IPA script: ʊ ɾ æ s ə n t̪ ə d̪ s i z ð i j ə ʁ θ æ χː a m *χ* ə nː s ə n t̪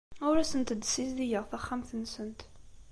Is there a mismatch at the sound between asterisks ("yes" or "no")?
yes